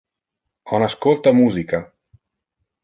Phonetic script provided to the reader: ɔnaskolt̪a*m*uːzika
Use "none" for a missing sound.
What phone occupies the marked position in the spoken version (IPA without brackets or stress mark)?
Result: m